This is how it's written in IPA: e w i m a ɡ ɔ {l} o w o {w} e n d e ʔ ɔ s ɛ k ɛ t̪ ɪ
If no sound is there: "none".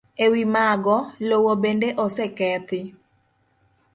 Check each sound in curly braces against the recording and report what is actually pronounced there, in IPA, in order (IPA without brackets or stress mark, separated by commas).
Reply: l, b